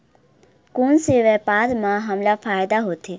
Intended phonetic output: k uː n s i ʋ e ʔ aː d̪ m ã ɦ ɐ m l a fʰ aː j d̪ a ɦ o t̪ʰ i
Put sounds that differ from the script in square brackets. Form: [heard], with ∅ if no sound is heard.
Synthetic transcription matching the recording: k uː n s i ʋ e [p] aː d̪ m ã ɦ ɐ m l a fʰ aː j d̪ a ɦ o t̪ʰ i